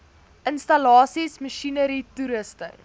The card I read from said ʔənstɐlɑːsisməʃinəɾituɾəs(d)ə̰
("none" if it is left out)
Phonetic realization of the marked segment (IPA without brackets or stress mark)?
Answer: t